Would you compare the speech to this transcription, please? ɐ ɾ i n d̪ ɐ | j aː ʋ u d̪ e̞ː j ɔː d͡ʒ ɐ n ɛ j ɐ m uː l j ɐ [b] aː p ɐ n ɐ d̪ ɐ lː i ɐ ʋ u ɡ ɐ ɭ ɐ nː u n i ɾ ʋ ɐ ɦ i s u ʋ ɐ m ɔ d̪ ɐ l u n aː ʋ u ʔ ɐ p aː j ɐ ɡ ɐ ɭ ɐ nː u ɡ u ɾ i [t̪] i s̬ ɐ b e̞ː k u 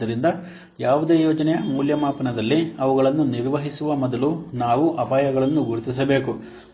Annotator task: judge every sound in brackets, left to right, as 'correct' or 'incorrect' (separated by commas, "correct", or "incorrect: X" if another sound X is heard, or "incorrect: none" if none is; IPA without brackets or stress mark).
incorrect: m, correct